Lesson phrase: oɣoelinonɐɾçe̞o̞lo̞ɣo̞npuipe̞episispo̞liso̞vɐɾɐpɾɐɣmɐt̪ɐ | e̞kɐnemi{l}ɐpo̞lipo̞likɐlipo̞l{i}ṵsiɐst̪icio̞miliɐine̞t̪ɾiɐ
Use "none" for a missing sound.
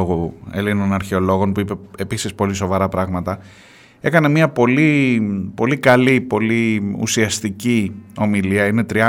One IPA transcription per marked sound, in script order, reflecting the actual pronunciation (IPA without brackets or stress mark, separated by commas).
none, i